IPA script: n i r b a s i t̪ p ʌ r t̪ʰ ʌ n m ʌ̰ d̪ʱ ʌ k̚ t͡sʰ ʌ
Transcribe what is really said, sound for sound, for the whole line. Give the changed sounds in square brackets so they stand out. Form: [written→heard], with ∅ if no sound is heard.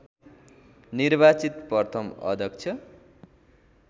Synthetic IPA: n i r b a [s→t͡s] i t̪ p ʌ r t̪ʰ ʌ [n→∅] m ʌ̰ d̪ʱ ʌ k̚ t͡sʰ ʌ

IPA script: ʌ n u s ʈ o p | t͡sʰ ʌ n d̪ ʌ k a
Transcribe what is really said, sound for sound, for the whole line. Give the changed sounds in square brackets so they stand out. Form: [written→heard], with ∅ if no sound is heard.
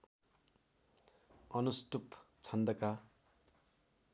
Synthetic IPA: ʌ n u s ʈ [o→u] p | t͡sʰ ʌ n d̪ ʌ k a

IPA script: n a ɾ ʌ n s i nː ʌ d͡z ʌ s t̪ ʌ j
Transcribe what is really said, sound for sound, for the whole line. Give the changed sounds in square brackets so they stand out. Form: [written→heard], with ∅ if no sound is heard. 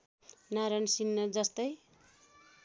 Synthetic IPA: n a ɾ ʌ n s i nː ʌ d͡z ʌ s t̪ ʌ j

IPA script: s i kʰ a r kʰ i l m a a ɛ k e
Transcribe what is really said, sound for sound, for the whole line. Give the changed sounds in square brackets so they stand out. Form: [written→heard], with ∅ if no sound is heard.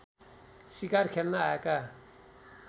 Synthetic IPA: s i [kʰ→k] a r kʰ [i→e] l [m→n] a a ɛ k [e→a]

